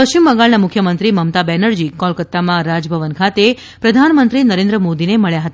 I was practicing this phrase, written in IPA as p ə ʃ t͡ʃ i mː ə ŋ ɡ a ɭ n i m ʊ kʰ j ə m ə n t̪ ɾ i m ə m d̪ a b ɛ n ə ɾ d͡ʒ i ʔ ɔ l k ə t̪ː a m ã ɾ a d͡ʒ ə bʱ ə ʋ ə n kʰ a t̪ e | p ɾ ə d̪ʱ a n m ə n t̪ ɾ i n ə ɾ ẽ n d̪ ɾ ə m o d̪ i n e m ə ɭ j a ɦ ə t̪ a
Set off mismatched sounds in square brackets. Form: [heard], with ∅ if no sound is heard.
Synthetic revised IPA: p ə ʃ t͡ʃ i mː ə ŋ ɡ a ɭ n [a] m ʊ kʰ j ə m ə n t̪ ɾ i m ə m [t̪] a b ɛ n ə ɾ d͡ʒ i [k] ɔ l k ə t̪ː a m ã ɾ a d͡ʒ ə bʱ ə ʋ ə n kʰ a t̪ e | p ɾ ə d̪ʱ a n m ə n t̪ ɾ i n ə ɾ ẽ n d̪ ɾ ə m o d̪ i n e m ə ɭ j a ɦ ə t̪ a